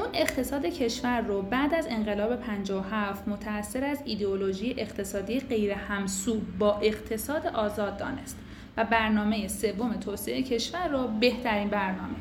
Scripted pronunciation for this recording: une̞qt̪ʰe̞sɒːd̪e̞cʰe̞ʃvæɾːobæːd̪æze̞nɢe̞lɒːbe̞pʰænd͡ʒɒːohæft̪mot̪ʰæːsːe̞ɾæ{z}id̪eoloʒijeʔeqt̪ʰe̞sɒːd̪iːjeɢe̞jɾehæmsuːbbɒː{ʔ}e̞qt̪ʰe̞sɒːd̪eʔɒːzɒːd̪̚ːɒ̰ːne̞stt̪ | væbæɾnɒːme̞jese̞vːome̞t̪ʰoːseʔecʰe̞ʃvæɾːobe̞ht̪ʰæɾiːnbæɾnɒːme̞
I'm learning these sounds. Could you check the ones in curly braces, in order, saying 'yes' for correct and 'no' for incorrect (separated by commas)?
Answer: yes, yes